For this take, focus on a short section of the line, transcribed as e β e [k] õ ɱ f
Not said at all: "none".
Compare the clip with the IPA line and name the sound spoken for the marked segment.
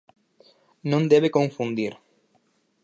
k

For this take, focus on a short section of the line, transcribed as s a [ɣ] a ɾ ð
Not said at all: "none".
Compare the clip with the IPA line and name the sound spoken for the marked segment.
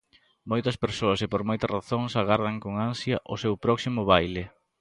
ɣ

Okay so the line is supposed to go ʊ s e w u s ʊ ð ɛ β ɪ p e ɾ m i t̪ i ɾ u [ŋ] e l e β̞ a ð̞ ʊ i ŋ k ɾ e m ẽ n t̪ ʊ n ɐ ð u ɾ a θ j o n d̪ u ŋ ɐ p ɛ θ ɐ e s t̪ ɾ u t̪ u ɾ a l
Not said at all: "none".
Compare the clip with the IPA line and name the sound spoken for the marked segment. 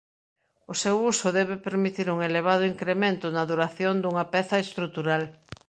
ŋ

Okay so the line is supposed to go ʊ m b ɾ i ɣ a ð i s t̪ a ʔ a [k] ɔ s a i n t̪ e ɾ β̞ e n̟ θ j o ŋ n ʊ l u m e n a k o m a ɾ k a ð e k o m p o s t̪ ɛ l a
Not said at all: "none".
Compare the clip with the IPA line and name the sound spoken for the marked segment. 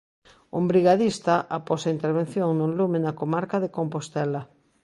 p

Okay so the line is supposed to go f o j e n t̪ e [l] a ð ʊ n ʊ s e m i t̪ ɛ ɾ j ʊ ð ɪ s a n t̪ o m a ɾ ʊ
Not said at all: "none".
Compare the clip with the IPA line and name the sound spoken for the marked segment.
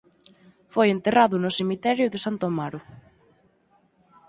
r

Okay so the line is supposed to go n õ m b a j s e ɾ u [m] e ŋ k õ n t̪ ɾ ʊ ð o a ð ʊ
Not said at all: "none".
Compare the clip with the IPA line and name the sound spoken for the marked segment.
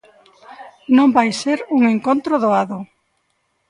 ŋ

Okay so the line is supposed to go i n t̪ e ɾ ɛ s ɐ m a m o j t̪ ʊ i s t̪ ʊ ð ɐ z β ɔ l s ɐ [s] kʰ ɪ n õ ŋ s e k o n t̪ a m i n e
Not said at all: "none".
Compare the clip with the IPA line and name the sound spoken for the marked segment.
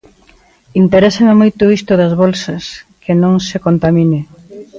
s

